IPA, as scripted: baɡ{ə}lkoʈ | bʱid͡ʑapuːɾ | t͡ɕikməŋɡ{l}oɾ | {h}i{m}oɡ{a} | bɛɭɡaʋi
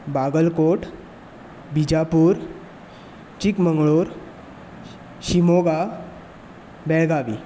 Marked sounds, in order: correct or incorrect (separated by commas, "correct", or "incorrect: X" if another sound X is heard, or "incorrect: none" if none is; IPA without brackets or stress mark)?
correct, incorrect: ɭ, incorrect: ɕ, correct, correct